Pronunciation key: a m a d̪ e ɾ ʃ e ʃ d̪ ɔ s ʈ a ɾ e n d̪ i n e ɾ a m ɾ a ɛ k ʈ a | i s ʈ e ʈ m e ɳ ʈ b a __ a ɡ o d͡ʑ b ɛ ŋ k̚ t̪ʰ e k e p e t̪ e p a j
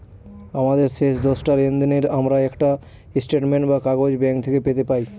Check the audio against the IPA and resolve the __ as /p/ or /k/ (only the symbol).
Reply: k